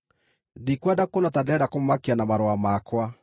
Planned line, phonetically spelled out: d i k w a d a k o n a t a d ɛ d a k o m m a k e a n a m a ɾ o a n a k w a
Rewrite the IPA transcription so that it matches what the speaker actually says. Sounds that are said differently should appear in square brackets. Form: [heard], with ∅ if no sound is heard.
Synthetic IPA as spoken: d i k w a d a k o n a t a d ɛ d a k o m m a k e a n a m a ɾ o a [m] a k w a